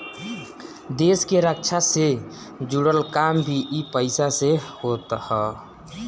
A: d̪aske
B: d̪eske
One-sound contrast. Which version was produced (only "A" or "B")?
B